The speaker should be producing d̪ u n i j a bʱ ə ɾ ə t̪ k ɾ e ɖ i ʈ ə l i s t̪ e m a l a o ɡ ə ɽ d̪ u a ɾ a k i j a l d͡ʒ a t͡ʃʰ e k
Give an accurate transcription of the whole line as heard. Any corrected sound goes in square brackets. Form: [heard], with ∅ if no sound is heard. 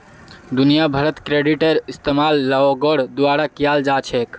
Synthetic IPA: d̪ u n i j a bʱ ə ɾ ə t̪ k ɾ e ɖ i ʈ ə [ɾ] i s t̪ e m a [lː] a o ɡ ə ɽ d̪ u a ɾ a k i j a l d͡ʒ a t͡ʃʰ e k